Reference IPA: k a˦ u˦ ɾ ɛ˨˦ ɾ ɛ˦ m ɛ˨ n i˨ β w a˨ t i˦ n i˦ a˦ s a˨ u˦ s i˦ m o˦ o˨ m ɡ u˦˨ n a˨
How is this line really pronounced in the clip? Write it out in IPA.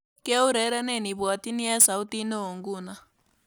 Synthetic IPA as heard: k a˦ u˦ ɾ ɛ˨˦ ɾ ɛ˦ n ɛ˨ n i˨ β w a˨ t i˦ n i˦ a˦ s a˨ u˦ t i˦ n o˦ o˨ ŋ ɡ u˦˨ n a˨